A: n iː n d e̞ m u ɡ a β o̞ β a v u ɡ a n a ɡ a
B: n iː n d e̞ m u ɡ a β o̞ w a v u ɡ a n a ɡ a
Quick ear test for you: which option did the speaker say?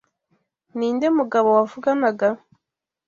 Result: B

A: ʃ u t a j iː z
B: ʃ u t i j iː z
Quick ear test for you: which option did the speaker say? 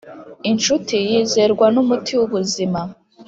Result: B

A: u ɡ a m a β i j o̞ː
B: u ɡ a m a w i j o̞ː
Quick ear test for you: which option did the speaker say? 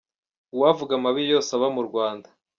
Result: A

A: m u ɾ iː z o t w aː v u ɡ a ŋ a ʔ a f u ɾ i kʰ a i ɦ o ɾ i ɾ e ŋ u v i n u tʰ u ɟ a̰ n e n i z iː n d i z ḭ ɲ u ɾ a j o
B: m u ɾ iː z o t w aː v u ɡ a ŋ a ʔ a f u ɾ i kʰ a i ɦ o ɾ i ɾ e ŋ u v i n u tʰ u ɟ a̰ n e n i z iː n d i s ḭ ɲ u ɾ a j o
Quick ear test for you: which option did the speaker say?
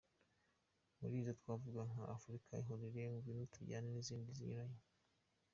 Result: A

